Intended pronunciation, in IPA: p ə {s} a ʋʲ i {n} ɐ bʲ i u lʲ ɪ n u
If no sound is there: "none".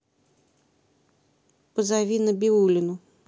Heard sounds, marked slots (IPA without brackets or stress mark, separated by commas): z, n